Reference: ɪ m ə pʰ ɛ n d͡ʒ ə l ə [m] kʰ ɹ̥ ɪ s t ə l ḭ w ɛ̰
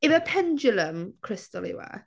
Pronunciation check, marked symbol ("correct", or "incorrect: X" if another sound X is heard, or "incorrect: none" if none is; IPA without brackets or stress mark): correct